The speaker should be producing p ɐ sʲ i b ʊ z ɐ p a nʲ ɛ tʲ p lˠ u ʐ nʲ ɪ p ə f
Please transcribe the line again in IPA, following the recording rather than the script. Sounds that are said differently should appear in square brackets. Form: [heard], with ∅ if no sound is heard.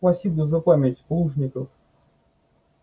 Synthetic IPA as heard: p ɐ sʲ i b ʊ z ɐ p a [mʲ] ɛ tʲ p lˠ u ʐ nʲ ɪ [k] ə f

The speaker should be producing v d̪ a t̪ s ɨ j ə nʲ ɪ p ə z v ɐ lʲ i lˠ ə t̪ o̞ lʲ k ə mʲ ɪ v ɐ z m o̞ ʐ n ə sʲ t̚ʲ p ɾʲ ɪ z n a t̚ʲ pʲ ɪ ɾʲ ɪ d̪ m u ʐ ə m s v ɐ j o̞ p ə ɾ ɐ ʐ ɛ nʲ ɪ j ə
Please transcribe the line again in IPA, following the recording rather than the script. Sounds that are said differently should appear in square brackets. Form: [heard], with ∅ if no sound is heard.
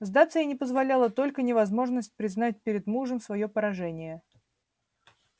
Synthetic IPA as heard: [z] d̪ a t̪ s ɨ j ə nʲ ɪ p ə z v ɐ lʲ [a] lˠ ə t̪ o̞ lʲ k ə [nʲ] ɪ v ɐ z m o̞ ʐ n ə sʲ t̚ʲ p ɾʲ ɪ z n a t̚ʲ pʲ ɪ ɾʲ ɪ d̪ m u ʐ ə m s v ɐ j o̞ p ə ɾ ɐ ʐ ɛ nʲ ɪ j ə

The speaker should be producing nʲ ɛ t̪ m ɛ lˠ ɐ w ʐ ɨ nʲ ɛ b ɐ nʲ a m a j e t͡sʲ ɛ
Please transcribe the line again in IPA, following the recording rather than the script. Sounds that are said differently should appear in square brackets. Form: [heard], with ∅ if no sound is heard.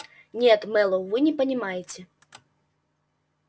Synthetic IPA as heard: nʲ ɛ t̪ m ɛ lˠ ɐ w [v] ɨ nʲ ɛ [p] ɐ nʲ [i] m a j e t͡sʲ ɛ

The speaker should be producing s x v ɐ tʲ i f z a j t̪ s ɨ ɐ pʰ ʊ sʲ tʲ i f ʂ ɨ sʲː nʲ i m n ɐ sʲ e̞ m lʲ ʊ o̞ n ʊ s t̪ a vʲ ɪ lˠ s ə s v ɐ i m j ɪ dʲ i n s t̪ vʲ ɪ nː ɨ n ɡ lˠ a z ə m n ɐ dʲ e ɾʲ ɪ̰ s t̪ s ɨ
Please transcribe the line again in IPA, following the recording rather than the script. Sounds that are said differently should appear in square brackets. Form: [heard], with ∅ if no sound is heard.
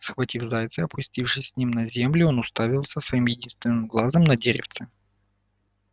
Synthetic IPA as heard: s x v ɐ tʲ i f z a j t̪ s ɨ ɐ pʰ ʊ sʲ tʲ i f ʂ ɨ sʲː nʲ i m n ɐ [zʲ] e̞ m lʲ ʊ o̞ n ʊ s t̪ a vʲ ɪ lˠ s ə s v ɐ i m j ɪ dʲ i n s t̪ vʲ ɪ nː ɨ [m] ɡ lˠ a z ə m n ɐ dʲ e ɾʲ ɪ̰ [f] t̪ s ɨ

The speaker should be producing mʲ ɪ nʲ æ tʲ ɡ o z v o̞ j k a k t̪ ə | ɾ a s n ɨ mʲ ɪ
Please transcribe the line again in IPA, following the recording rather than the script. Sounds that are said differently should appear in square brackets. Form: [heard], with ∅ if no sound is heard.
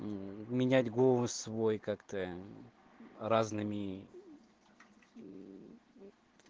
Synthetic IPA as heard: mʲ ɪ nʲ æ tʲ ɡ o [s] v o̞ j k a k t̪ ə | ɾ a [z] n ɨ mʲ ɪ

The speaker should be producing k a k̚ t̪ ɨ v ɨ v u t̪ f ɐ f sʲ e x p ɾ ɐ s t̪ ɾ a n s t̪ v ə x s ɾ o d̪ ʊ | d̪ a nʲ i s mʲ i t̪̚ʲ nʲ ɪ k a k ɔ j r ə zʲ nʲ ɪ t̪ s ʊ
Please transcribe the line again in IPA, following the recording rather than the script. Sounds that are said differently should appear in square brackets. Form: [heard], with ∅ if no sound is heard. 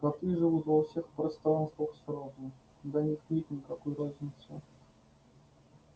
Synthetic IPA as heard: k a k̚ t̪ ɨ [ʐ] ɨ v u t̪ [v] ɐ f sʲ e x p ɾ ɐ s t̪ ɾ a n s t̪ v ə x s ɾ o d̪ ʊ | d̪ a nʲ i [x] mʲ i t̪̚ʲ nʲ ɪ k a k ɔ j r [a] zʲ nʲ ɪ t̪ s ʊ

